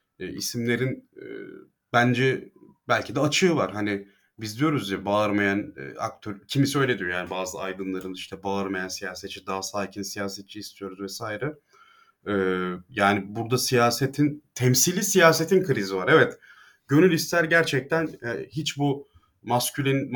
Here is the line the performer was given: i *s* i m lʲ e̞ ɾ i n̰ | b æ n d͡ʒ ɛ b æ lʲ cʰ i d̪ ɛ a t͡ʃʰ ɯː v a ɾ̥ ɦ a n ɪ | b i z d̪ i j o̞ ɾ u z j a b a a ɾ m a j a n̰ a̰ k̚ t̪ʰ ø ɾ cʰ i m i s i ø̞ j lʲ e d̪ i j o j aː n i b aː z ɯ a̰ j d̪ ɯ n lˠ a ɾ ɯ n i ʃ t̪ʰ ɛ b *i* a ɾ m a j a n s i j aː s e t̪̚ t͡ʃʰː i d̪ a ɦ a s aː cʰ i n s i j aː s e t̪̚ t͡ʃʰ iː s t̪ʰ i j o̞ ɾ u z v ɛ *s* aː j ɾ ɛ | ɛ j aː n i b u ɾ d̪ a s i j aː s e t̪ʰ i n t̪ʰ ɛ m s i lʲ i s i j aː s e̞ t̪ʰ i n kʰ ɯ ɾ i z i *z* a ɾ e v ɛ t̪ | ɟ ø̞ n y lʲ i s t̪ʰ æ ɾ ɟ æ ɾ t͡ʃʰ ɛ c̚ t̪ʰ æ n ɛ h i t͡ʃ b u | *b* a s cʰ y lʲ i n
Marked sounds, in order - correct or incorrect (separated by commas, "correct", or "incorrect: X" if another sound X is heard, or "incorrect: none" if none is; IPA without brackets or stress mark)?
correct, incorrect: a, correct, incorrect: v, incorrect: m